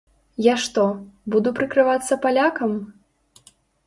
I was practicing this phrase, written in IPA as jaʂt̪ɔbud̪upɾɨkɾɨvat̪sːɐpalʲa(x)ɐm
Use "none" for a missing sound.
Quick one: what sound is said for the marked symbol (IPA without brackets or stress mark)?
k